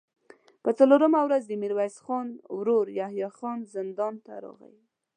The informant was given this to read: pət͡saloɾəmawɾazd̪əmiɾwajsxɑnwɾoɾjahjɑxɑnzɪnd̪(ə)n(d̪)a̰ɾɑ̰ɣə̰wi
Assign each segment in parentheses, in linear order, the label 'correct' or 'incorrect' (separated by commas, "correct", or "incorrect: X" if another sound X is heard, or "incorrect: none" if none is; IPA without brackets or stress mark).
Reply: incorrect: ɑ, incorrect: t̪